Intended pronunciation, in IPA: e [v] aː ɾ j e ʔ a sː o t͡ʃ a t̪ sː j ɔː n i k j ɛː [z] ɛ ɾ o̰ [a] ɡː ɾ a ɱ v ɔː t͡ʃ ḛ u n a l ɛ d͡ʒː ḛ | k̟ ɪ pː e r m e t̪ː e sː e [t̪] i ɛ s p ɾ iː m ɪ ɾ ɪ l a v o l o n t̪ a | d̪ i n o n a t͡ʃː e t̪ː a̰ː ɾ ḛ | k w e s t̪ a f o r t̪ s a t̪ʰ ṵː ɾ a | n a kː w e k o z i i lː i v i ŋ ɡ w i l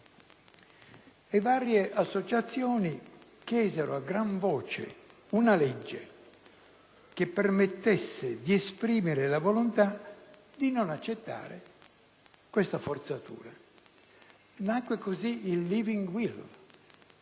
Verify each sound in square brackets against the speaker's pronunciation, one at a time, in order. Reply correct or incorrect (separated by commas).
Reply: correct, correct, correct, incorrect